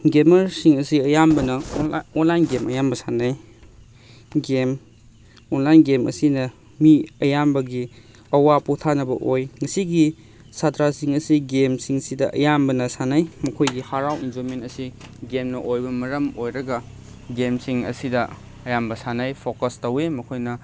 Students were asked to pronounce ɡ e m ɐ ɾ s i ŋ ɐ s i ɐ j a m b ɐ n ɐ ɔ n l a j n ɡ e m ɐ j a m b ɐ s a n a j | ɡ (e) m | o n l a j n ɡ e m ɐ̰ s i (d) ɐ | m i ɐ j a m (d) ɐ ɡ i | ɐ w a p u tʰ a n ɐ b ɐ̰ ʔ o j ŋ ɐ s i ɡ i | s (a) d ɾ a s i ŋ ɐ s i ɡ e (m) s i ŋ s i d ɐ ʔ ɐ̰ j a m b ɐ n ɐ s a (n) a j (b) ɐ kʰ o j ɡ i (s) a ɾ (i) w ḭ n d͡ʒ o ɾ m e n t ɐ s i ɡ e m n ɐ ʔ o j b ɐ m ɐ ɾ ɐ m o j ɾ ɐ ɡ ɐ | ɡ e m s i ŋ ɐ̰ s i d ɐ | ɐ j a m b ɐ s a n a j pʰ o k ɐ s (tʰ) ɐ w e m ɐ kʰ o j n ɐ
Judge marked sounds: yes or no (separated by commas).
yes, no, no, yes, yes, yes, no, no, no, no